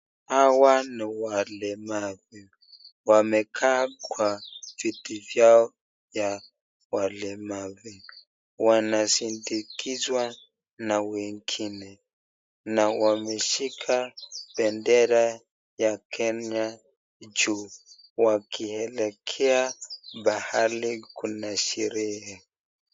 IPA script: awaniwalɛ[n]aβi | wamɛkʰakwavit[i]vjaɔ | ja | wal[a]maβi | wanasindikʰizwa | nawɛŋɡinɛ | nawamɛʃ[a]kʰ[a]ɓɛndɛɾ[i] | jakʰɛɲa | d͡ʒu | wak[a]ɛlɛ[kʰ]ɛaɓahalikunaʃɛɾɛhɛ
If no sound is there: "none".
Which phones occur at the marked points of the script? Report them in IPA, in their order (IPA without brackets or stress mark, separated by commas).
m, i, ɛ, i, a, a, i, kʰ